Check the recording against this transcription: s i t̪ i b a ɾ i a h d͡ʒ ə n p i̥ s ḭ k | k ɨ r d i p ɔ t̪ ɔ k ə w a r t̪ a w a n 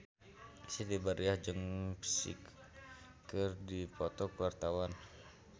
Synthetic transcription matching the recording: s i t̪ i b a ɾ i a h d͡ʒ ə ŋ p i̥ s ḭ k | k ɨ r d i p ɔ t̪ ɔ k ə w a r t̪ a w a n

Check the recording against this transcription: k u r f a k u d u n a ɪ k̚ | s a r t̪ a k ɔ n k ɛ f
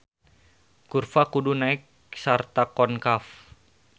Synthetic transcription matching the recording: k u r f a k u d u n a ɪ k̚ | s a r t̪ a k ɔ n k a f

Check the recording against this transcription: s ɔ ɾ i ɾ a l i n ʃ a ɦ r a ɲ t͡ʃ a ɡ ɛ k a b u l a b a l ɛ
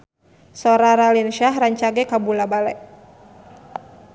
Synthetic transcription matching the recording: s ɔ ɾ a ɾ a l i n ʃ a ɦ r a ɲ t͡ʃ a ɡ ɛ k a b u l a b a l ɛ

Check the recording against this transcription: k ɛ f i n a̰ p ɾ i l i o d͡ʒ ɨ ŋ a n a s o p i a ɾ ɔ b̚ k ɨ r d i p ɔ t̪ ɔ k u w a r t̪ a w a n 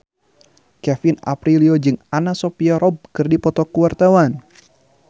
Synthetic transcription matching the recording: k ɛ f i n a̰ p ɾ i l i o d͡ʒ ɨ ŋ a n a s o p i a ɾ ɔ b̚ k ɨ r d i p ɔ t̪ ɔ k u w a r t̪ a w a n

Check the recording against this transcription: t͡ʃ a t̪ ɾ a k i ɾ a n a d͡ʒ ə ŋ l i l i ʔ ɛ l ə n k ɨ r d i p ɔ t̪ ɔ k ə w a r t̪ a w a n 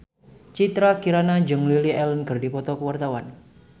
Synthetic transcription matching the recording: t͡ʃ i t̪ ɾ a k i ɾ a n a d͡ʒ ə ŋ l i l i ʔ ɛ l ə n k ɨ r d i p ɔ t̪ ɔ k ə w a r t̪ a w a n

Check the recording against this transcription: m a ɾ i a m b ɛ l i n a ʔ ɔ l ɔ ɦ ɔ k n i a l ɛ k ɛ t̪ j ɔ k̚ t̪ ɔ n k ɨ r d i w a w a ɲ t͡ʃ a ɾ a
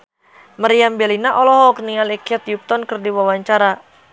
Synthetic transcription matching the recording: m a ɾ i a m b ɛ l i n a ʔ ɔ l ɔ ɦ ɔ k n i a l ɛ k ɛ t̪ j u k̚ t̪ ɔ n k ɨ r d i w a w a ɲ t͡ʃ a ɾ a

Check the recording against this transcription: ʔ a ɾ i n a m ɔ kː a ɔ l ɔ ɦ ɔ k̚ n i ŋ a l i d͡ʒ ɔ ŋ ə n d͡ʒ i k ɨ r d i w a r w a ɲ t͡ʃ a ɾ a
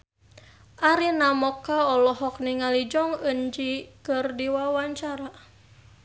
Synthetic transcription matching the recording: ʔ a ɾ i n a m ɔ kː a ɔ l ɔ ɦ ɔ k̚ n i ŋ a l i d͡ʒ ɔ ŋ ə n d͡ʒ i k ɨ r d i w a w a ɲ t͡ʃ a ɾ a

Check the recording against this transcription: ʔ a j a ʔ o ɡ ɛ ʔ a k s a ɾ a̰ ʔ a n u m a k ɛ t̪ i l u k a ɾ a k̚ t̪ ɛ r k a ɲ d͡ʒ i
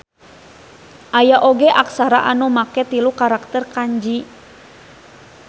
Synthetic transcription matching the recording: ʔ a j a ʔ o ɡ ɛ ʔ a k s a ɾ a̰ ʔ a n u m a k ɛ t̪ i l u k a ɾ a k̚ t̪ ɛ r k a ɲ d͡ʒ i

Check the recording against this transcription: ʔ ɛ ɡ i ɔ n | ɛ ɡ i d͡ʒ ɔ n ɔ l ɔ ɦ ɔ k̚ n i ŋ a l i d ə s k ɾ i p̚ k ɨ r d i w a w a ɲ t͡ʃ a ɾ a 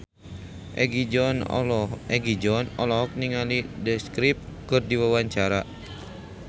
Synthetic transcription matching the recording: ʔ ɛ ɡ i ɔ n | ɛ ɡ i d͡ʒ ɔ n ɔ l ɔ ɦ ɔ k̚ n i ŋ a l i d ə s k ɾ i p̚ k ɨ r d i w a w a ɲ t͡ʃ a ɾ a

